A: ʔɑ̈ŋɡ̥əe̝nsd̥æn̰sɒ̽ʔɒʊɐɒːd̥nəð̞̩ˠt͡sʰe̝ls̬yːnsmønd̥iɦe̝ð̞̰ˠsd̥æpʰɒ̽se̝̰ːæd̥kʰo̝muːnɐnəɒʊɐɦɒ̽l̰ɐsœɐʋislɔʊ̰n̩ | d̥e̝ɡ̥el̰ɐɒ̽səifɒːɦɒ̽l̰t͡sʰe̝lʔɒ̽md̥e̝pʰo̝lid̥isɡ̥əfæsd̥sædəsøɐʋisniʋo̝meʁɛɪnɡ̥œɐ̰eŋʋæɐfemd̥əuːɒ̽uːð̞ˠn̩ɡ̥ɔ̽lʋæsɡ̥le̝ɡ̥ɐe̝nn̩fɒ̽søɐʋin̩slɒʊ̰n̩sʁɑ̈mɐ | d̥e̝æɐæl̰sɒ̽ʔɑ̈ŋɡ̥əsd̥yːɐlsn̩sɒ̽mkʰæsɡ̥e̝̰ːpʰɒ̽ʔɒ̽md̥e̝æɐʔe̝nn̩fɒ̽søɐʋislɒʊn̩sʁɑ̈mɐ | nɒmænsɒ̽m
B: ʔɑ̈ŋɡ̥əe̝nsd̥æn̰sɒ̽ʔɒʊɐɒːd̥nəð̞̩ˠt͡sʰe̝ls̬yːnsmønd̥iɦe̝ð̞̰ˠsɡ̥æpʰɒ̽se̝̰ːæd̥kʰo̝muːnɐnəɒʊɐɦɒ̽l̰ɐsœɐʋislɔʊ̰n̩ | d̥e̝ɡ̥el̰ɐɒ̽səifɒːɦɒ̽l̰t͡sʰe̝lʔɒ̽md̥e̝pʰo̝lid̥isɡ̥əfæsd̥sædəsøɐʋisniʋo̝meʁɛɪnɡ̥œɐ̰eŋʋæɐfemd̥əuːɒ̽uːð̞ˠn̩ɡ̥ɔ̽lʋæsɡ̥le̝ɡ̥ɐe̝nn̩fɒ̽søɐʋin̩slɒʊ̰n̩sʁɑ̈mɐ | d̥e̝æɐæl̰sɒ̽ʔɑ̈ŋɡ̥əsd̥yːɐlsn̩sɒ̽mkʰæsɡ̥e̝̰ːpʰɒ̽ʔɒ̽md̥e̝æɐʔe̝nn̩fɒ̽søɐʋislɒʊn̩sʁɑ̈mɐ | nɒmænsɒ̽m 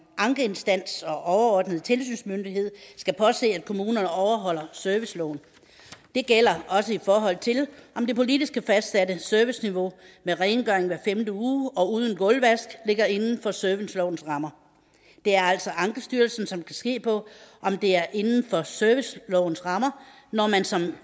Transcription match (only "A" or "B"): B